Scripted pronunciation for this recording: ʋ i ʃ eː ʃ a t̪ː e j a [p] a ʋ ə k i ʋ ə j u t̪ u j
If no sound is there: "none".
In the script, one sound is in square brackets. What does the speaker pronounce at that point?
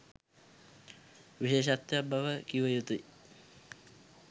b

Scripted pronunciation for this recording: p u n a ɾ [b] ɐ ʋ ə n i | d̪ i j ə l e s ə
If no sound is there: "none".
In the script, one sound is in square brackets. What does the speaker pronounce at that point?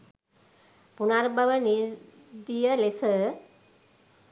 b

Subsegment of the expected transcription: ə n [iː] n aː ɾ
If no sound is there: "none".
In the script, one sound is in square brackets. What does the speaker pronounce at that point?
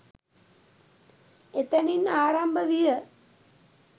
i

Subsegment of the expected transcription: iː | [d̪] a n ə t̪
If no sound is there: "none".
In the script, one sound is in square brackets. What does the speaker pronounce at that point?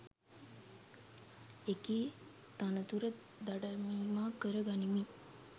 t̪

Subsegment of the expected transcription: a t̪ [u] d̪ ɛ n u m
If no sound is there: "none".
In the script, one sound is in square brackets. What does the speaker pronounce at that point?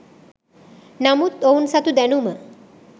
u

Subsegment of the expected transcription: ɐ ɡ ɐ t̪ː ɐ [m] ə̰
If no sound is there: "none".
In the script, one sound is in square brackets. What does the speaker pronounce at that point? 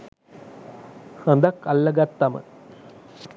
m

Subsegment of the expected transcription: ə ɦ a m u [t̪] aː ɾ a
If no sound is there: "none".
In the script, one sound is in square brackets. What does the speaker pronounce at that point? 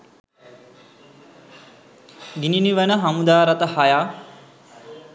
d̪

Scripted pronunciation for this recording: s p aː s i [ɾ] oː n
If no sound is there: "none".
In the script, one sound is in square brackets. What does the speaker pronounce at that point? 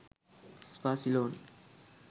l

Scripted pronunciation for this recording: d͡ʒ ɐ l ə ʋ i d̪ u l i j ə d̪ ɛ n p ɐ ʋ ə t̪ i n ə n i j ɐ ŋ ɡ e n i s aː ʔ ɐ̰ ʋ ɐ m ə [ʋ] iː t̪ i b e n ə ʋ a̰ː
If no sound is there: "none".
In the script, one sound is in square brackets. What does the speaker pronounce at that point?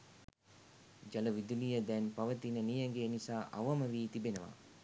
ʋ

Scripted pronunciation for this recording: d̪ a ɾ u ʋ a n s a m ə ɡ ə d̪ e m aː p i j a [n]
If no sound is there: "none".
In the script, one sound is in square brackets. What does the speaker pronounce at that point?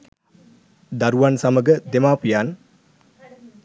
n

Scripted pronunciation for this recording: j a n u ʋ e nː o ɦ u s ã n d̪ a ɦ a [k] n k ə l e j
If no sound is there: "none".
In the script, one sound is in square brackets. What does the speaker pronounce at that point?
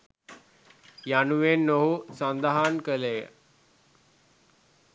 none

